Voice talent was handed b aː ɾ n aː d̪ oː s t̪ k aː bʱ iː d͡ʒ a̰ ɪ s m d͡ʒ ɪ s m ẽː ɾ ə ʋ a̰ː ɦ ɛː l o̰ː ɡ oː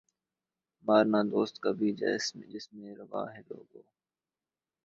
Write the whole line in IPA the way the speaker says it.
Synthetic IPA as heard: m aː ɾ n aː d̪ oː s t̪ k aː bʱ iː d͡ʒ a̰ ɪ s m d͡ʒ ɪ s m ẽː ɾ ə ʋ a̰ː ɦ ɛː l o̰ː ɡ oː